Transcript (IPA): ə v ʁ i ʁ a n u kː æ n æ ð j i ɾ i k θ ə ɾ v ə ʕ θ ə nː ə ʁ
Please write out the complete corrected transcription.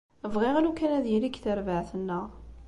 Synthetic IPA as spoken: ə v ʁ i ʁ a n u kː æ n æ ð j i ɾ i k θ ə ɾ v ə ʕ θ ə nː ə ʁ